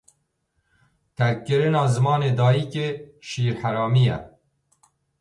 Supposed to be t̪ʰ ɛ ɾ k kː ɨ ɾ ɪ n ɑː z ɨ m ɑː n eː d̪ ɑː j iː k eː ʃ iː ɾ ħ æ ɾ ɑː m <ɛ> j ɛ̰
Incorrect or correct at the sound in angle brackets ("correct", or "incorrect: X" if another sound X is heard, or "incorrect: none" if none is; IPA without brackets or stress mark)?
incorrect: i